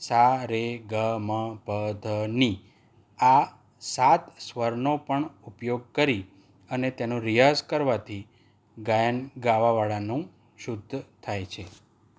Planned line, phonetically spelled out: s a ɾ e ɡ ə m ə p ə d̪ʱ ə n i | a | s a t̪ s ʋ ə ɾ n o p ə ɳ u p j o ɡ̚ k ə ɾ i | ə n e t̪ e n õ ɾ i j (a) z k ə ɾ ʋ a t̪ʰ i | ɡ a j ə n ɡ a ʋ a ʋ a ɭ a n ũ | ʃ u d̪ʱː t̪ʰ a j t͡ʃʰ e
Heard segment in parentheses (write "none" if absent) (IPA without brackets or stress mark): a